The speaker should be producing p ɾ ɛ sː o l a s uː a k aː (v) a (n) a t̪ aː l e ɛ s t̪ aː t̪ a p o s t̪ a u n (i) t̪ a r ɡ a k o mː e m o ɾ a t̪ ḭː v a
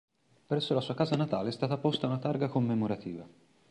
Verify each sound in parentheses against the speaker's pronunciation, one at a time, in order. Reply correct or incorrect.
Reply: incorrect: z, correct, incorrect: a

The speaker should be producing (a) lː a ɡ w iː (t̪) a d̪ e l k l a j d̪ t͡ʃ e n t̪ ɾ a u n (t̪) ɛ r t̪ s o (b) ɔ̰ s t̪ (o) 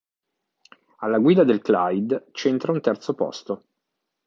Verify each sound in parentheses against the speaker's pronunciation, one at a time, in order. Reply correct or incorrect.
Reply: correct, incorrect: d̪, correct, incorrect: p, correct

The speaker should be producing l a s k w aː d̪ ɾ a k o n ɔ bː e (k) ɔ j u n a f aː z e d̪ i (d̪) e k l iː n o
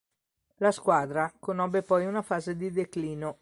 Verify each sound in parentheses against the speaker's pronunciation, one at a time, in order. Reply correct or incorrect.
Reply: incorrect: p, correct

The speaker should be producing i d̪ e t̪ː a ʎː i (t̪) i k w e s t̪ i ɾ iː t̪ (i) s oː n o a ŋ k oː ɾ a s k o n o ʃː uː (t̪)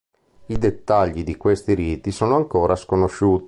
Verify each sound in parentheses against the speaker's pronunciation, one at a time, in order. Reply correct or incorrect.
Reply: incorrect: d̪, correct, correct

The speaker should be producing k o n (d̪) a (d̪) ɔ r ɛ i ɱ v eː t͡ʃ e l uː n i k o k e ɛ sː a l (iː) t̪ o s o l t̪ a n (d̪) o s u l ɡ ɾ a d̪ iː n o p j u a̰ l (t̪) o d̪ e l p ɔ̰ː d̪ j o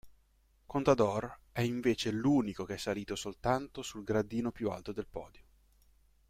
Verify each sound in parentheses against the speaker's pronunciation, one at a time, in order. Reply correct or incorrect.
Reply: incorrect: t̪, correct, correct, incorrect: t̪, correct

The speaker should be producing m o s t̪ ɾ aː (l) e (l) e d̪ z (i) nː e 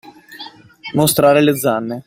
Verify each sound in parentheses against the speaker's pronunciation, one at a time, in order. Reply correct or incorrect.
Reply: incorrect: ɾ, correct, incorrect: a

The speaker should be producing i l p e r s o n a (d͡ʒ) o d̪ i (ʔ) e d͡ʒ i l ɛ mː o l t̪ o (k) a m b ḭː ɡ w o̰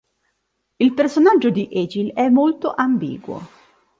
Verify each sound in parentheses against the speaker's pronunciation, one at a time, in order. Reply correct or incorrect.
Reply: incorrect: d͡ʒː, correct, incorrect: ʔ

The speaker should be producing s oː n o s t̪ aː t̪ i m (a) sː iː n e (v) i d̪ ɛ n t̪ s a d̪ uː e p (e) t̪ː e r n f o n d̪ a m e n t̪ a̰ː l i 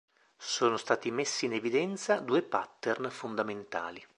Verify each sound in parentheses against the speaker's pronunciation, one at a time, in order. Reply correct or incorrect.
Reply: incorrect: e, correct, incorrect: a

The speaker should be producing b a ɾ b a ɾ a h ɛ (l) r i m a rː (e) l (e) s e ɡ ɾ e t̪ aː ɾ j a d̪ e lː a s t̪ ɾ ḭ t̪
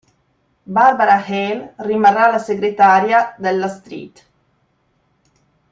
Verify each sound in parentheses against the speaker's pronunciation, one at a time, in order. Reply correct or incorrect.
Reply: correct, incorrect: a, incorrect: a

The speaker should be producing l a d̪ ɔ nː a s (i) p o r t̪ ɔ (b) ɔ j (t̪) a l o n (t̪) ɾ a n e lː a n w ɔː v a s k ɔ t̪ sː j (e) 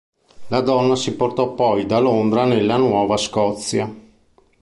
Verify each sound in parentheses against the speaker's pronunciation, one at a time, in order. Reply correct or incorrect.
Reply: correct, incorrect: p, incorrect: d̪, incorrect: d̪, incorrect: a

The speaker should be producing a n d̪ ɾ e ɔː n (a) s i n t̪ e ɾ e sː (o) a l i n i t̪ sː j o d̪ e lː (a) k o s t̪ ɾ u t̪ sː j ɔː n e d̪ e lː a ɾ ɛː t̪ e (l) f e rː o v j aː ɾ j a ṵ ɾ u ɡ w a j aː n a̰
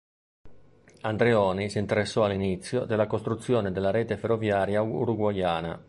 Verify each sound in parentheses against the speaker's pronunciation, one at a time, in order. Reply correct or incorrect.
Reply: incorrect: i, incorrect: ɔ, correct, incorrect: none

